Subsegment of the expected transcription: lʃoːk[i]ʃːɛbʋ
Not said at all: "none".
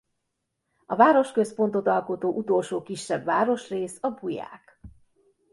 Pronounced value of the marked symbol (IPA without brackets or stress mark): i